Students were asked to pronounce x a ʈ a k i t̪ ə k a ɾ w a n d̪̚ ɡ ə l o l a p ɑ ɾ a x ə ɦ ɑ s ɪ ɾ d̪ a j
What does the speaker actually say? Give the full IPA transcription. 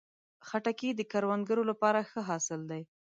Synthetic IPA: x a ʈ a k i d̪ ə k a ɾ w a n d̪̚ ɡ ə ɾ o l a p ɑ ɾ a x ə ɦ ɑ s ɪ l d̪ a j